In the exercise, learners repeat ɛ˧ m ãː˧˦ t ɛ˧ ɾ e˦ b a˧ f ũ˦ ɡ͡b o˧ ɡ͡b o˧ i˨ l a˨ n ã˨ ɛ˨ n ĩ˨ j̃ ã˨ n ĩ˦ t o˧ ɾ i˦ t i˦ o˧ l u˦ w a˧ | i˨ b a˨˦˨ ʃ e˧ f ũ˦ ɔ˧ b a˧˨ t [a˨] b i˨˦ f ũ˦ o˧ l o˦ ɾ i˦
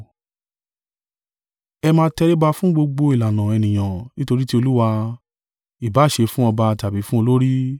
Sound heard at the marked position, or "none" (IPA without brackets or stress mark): a˨